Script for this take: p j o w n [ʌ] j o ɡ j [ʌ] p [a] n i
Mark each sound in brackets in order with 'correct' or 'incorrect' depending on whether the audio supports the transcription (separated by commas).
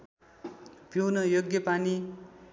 correct, correct, correct